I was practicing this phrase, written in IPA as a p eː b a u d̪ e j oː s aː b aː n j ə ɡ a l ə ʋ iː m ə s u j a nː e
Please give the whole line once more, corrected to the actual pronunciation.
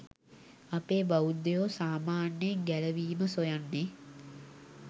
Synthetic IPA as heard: a p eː b a u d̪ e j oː s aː m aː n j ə ɡ æ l ə ʋ iː m ə s o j a nː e